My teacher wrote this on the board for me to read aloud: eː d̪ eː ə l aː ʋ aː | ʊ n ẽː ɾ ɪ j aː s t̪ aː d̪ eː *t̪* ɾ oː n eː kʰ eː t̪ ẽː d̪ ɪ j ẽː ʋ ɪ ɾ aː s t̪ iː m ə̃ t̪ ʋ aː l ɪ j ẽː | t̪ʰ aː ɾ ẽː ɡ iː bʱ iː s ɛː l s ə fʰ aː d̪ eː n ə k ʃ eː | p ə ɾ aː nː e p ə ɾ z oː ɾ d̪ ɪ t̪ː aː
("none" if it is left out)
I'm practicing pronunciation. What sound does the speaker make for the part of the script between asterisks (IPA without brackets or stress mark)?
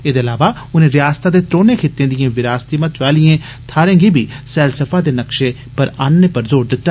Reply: t̪